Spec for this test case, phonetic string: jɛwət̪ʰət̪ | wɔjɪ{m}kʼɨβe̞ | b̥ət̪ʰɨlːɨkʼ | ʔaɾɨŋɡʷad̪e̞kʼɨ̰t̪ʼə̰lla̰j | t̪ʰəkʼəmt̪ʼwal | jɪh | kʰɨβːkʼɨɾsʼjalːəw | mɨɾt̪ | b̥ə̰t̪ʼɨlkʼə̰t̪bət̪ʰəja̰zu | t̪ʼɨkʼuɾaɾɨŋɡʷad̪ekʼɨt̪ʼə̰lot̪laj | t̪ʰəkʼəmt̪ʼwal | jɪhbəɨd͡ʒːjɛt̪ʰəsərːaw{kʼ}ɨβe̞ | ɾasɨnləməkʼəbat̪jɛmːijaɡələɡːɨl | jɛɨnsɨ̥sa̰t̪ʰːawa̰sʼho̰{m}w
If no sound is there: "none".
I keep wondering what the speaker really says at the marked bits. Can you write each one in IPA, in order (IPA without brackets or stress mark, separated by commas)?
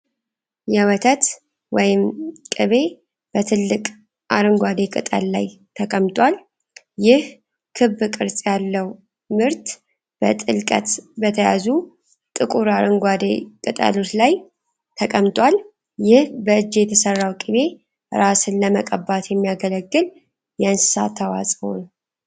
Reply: m, kʼ, n